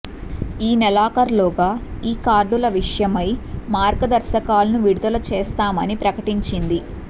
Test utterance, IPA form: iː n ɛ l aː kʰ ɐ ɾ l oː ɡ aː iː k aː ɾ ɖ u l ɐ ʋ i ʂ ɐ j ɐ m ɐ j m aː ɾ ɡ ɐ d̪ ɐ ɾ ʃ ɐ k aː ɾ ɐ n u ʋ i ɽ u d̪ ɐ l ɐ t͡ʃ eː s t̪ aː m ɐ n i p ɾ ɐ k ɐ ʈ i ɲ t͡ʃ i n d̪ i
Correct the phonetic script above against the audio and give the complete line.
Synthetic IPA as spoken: iː n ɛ l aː k ɐ ɾ l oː ɡ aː iː k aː ɾ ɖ u l ɐ ʋ i ʂ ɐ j ɐ m ɐ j m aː ɾ ɡ ɐ d̪ ɐ ɾ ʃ ɐ k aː l ɐ n u ʋ i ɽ u d̪ ɐ l ɐ t͡ʃ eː s t̪ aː m ɐ n i p ɾ ɐ k ɐ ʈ i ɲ t͡ʃ i n d̪ i